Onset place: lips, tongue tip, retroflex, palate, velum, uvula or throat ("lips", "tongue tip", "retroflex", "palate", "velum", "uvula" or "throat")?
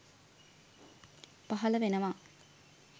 lips